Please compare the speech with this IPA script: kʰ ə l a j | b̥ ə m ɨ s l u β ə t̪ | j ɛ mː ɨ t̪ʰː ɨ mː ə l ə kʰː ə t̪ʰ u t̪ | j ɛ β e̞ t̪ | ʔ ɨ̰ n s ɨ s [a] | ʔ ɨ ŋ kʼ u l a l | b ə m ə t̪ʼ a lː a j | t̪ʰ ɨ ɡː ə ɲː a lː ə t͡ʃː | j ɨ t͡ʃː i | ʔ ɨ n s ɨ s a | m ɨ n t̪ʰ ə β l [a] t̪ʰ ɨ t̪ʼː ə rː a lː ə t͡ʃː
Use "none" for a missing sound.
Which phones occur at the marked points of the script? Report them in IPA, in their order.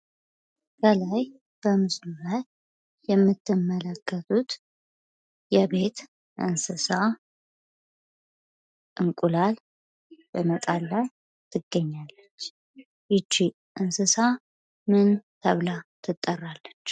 a, a

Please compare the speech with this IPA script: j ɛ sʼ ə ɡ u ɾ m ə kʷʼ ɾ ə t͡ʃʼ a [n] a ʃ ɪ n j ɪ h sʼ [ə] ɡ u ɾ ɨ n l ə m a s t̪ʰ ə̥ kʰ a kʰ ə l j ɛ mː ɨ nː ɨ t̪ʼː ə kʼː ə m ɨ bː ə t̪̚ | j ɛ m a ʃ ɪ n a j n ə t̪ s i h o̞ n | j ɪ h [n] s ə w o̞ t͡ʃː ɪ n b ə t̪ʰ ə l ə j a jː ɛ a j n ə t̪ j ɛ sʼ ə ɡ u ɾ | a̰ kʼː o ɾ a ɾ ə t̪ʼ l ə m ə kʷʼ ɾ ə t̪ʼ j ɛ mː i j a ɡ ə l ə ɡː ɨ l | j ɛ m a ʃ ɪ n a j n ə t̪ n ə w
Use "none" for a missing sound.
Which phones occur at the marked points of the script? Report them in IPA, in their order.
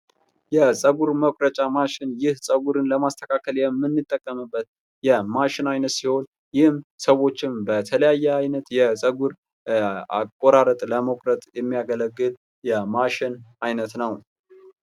m, ə, m

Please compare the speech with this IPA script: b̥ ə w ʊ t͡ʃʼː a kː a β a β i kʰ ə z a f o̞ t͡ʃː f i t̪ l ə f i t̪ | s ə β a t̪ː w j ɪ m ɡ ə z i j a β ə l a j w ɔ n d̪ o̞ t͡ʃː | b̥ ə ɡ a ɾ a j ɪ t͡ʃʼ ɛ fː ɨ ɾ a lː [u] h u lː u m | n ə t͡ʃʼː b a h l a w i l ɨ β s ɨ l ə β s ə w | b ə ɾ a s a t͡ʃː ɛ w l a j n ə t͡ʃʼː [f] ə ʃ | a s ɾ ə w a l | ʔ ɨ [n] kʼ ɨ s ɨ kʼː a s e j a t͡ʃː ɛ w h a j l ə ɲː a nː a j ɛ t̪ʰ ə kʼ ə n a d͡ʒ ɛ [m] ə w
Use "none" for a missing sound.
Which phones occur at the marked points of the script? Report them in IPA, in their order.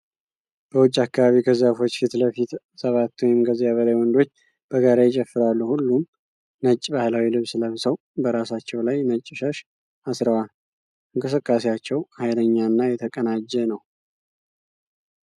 u, ʃ, ŋ, n

